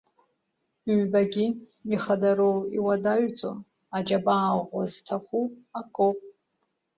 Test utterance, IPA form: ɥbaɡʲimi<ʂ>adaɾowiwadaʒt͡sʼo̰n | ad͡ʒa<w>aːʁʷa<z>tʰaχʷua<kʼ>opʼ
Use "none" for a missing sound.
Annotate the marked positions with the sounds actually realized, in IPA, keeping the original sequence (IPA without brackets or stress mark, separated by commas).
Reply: χ, b, z, kʼ